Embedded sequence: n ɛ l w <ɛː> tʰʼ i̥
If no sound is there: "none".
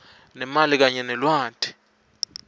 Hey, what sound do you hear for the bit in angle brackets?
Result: aː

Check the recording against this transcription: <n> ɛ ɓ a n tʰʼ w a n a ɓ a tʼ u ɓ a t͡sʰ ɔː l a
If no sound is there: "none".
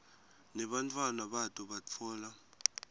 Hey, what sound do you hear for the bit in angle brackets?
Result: n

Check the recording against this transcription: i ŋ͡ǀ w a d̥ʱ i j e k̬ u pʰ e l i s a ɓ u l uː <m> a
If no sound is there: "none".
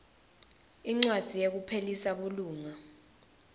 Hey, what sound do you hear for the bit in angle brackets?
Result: ŋ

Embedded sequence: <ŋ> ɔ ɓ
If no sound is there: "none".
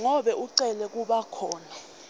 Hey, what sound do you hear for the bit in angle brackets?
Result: ŋ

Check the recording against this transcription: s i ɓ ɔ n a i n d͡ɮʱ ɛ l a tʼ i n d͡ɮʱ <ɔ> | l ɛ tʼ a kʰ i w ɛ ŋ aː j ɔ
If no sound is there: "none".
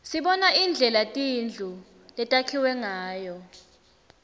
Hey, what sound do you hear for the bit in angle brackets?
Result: u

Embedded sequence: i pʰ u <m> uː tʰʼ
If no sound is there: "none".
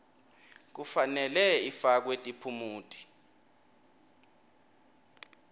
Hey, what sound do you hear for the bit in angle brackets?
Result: m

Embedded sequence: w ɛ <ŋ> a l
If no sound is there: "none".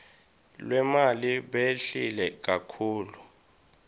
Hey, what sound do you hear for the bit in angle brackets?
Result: m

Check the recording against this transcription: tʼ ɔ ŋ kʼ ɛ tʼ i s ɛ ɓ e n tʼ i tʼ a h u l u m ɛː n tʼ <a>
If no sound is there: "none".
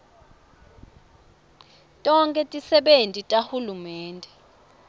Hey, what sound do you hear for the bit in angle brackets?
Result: ɛ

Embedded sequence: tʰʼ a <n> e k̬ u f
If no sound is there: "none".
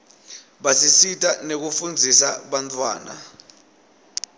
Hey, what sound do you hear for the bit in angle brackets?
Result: n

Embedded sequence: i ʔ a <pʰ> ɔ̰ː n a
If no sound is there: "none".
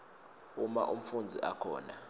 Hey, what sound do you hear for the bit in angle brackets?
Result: kʰ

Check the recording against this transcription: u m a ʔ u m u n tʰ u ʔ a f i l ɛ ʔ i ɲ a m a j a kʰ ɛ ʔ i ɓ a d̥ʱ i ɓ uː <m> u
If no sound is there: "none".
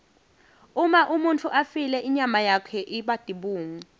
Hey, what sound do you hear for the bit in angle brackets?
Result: ŋ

